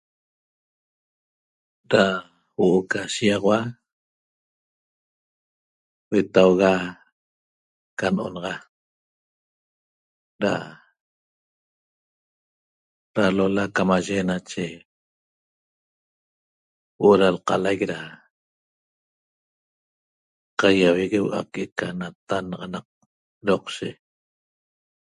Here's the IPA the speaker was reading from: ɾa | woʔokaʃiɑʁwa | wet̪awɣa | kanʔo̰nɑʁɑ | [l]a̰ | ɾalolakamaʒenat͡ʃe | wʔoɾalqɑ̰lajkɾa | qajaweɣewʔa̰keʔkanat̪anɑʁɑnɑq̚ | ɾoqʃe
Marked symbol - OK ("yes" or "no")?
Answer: no